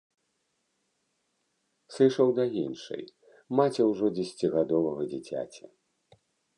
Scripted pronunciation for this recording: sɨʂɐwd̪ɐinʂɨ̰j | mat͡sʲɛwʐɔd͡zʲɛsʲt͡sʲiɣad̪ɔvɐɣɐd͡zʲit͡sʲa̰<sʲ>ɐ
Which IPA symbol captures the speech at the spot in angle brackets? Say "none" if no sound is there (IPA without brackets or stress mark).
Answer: t͡sʲ